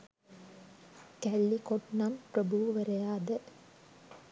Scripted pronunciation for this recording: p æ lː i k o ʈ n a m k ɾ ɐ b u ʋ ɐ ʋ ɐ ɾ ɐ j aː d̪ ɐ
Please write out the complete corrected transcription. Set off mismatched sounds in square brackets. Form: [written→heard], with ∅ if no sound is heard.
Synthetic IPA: [p→k] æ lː i k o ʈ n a m [k→p] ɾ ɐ b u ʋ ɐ ʋ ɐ ɾ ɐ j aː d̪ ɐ